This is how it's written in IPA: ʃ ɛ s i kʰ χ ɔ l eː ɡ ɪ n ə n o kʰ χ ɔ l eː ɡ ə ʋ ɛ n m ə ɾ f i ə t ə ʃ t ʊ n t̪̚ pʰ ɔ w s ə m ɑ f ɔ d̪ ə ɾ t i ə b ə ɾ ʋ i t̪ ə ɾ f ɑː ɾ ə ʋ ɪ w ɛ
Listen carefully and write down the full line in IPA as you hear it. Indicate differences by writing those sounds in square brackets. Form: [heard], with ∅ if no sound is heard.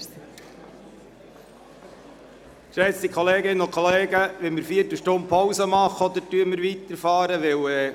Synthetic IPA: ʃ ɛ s i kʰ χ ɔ l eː ɡ ɪ n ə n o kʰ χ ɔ l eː ɡ ə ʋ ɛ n m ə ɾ f i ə t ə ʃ t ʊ n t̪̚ pʰ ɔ w s ə m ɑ [χ] ɔ d̪ ə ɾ t [y] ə [m] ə ɾ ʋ i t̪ ə ɾ f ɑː ɾ ə ʋ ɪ w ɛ

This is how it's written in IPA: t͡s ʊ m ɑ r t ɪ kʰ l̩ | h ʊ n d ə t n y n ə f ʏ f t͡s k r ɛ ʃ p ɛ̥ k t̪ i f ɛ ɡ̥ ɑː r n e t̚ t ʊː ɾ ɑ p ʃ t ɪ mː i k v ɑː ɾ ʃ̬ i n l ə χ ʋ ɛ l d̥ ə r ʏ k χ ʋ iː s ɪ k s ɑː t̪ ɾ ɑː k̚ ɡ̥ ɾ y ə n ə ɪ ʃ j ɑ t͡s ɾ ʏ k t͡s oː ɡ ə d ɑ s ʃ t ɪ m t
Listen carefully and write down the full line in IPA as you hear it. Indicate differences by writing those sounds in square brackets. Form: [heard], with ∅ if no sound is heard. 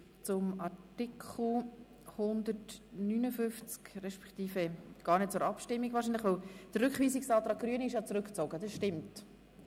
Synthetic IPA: t͡s ʊ m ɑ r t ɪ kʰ l̩ | h ʊ n d ə t n y n ə f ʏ f t͡s k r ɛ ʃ p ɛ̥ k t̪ [iː] f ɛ ɡ̥ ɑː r n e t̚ [t͡s] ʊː ɾ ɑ p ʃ t ɪ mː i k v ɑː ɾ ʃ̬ i n l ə χ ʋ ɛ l d̥ ə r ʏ k χ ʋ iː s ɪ k s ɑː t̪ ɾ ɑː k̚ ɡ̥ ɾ y ə n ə ɪ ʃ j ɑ t͡s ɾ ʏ k t͡s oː ɡ ə d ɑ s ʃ t ɪ m t

